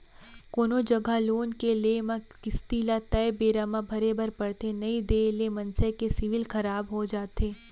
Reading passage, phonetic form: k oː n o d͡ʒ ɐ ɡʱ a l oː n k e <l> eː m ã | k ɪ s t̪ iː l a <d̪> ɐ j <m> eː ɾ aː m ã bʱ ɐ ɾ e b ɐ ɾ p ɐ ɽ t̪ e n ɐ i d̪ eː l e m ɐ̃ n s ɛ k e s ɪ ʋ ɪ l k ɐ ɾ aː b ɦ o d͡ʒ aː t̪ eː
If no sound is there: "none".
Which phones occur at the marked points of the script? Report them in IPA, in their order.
l, t̪, b

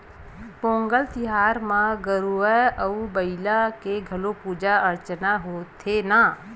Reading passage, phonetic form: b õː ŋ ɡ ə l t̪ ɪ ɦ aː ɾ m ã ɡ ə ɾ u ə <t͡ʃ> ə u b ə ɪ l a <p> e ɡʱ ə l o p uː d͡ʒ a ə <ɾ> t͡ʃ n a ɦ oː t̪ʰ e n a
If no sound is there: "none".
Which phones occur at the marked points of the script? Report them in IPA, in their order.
none, k, ɾ

